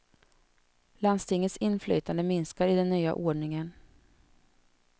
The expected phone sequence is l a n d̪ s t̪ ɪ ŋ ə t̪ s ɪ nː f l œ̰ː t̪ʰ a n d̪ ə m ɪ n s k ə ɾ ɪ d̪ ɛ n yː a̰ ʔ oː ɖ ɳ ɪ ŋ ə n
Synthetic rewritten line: l a n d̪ s t̪ ɪ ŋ ə t̪ s ɪ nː f l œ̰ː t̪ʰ a n d̪ ə m ɪ n s k a ɾ ɪ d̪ ɛ nː yː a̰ ʔ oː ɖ ɳ ɪ ŋ ə n

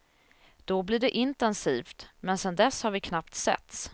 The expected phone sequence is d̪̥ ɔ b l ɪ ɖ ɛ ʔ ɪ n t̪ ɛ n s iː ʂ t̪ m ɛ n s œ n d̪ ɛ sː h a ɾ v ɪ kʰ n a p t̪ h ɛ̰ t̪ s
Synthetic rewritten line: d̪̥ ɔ b l ɪ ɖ ɛ ʔ ɪ n t̪ ɛ n s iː f t̪ m ɛ n s ɛ n d̪ ɛ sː h a ɾ v ɪ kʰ n a p t̪ s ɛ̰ t̪ s

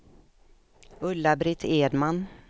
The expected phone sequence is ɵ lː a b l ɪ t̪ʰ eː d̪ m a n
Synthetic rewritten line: ɵ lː a b ɾ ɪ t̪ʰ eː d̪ m a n

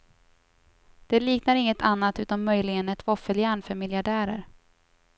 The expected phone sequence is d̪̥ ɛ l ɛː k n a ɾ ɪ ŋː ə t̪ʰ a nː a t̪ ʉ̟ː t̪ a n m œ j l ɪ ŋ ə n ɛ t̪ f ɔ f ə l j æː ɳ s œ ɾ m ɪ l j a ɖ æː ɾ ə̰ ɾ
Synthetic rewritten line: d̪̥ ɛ l iː k n a ɾ ɪ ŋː ə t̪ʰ a nː a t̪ ʉ̟ː t̪ a n m œ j l ɪ ɡ ə n ɛ t̪ v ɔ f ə l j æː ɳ f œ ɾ m ɪ l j a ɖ æː ɾ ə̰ ɾ

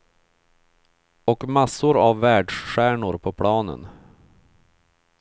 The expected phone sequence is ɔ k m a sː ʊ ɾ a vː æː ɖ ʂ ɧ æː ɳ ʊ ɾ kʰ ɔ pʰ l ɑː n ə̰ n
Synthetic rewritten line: ɔ k m a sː ʊ ɾ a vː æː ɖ ʂ ɧ æː ɳ ʊ ɾ pʰ ɔ pʰ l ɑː n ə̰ n

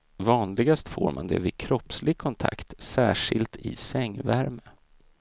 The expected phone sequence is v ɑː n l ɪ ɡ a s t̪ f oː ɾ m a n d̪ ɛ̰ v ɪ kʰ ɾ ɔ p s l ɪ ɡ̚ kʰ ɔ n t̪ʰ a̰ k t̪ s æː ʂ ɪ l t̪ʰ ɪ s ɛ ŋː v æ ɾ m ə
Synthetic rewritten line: v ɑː n l ɪ ɡ a s t̪ f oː ɾ m a n d̪ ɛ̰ v ɪ kʰ ɾ ɔ p s l ɪ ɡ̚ kʰ ɔ n t̪ʰ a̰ k t̪ s æː ʂ ɪ l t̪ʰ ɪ s ɛ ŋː v æ ɾ m ə

